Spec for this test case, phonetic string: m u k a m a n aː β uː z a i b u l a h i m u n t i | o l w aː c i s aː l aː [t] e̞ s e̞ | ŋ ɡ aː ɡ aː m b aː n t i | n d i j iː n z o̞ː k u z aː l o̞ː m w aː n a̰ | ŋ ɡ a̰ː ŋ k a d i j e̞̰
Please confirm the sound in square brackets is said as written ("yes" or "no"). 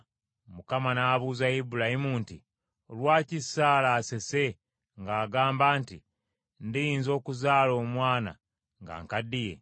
no